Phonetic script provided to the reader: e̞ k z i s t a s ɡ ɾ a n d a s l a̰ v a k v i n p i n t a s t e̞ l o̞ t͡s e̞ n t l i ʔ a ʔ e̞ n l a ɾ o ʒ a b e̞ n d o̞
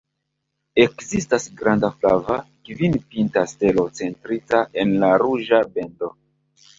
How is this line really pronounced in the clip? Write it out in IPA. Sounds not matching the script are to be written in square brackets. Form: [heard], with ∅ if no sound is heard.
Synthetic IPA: e̞ k z i s t a s ɡ ɾ a n d a [f] l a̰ v a k v i n p i n t a s t e̞ l o̞ t͡s e̞ n t [ɾ] i [t] a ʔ e̞ n l a ɾ [u] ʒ a b e̞ n d o̞